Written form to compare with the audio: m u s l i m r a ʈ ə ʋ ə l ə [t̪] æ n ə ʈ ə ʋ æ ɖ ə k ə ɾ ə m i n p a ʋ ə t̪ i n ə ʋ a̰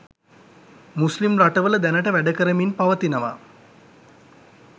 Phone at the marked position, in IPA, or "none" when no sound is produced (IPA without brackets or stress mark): d̪